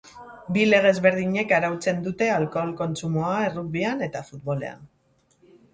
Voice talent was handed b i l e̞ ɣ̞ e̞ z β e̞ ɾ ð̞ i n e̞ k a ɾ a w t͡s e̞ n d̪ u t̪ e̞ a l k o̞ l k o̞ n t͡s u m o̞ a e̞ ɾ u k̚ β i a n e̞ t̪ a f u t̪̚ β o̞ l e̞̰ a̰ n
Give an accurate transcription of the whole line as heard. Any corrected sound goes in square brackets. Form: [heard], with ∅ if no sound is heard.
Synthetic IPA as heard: b i l e̞ ɣ̞ e̞ z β e̞ ɾ ð̞ i [ɲ] e̞ k a ɾ a w t͡s e̞ n d̪ u t̪ e̞ a l k o̞ l k o̞ n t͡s u m o̞ a e̞ [r] u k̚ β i a n e̞ t̪ a f u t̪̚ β o̞ l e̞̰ a̰ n